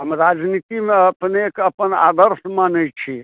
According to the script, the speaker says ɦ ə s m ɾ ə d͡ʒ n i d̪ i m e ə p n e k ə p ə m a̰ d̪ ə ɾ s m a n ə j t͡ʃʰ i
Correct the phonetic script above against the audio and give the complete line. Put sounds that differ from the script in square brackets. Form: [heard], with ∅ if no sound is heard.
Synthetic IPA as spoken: ɦ ə [∅] m ɾ [a] d͡ʒ n i [t̪] i m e ə p n e k ə p ə [n] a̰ d̪ ə ɾ s m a n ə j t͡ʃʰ i